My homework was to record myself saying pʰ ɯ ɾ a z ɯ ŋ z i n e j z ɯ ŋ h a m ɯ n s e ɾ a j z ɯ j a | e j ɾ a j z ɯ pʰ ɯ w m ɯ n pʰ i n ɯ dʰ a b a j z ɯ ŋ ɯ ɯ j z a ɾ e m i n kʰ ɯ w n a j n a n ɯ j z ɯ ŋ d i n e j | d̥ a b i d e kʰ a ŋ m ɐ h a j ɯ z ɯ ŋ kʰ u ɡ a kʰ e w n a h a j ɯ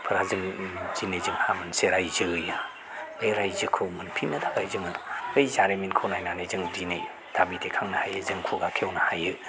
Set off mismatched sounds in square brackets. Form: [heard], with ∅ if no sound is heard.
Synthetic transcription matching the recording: pʰ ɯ ɾ a z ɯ ŋ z i n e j z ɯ ŋ h a m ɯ n s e ɾ a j z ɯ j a | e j ɾ a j z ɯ [kʰ] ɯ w m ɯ n pʰ i n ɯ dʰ a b a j z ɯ ŋ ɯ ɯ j z a ɾ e m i n kʰ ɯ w n a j n a n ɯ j z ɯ ŋ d i n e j | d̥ a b i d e kʰ a ŋ [n] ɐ h a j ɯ z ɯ ŋ kʰ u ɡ a kʰ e w n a h a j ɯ